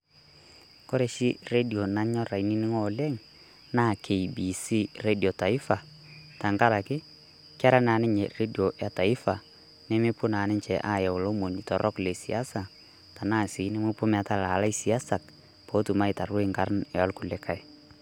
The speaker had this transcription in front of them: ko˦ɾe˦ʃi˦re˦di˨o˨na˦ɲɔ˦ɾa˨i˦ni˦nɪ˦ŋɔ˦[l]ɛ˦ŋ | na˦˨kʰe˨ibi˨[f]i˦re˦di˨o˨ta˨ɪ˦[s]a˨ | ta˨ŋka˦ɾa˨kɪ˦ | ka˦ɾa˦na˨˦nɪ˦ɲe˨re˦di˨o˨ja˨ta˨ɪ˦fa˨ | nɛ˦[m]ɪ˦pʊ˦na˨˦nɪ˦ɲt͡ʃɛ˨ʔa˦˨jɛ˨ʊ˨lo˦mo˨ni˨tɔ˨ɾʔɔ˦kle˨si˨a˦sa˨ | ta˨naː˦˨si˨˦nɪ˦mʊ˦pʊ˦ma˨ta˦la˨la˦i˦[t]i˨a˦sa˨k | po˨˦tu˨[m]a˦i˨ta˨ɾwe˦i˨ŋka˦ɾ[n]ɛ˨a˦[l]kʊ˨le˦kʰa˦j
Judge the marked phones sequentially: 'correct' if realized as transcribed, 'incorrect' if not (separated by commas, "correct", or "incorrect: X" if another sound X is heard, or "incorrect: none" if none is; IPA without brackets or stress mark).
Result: correct, incorrect: s, incorrect: f, correct, incorrect: s, correct, correct, correct